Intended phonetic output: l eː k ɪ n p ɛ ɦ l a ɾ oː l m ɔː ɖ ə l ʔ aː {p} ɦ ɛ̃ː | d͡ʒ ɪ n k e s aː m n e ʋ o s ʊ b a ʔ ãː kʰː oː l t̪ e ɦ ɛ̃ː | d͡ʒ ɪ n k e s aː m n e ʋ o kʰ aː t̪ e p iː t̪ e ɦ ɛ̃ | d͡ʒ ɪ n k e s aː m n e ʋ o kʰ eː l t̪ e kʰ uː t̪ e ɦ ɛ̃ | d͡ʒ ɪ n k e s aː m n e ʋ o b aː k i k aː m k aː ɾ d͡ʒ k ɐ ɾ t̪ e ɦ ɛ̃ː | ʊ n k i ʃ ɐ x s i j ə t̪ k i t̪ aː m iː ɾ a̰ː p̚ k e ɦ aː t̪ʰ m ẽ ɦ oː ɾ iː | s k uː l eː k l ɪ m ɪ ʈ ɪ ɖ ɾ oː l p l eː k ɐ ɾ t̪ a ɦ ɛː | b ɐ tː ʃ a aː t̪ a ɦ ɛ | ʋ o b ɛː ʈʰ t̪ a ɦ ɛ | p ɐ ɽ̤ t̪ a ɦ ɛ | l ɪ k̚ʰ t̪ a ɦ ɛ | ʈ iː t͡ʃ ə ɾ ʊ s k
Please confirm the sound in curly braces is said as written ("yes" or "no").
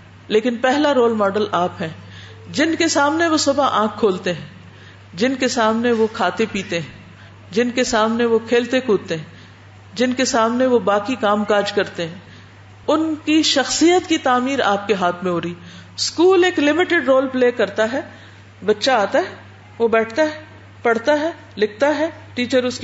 yes